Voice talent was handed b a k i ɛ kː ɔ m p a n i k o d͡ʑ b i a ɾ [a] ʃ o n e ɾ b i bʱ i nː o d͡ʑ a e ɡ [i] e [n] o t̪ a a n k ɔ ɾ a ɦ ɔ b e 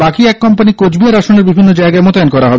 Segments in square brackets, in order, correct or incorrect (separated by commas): correct, incorrect, incorrect